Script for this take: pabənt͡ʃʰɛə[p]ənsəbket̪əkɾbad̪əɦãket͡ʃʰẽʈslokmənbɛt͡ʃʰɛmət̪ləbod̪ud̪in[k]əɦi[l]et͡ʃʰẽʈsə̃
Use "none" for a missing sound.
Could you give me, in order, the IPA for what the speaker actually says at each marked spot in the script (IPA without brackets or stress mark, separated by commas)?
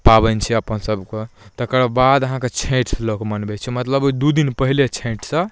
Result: p, p, l